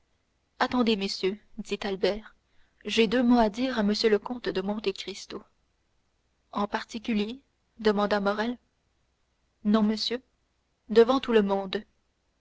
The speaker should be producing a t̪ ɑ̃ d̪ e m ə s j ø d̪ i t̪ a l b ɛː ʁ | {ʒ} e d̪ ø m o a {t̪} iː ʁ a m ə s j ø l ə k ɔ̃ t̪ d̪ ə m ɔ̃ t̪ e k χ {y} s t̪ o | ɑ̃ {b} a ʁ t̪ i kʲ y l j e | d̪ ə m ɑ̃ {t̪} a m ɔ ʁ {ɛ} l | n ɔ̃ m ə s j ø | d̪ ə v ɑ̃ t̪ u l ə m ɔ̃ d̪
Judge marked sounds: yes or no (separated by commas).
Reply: yes, no, no, no, no, yes